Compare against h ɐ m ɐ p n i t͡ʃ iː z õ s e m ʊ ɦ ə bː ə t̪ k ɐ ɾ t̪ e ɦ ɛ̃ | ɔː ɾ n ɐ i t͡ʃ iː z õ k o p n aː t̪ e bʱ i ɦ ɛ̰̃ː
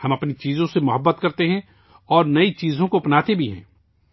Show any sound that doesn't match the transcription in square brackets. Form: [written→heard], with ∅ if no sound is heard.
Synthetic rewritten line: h ɐ m ɐ p n i t͡ʃ iː z õ s e m ʊ ɦ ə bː ə t̪ k ɐ ɾ t̪ e ɦ ɛ̃ | ɔː ɾ n ɐ i t͡ʃ iː z õ k o p n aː t̪ e bʱ i ɦ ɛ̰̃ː